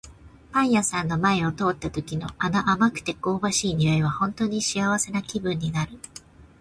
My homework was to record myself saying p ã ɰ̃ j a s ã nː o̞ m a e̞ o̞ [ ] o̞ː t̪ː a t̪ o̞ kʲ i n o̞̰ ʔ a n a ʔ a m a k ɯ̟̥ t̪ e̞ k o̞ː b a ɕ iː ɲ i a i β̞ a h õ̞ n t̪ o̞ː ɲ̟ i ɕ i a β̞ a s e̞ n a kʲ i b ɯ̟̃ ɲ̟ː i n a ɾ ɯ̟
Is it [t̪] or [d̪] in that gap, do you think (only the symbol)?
t̪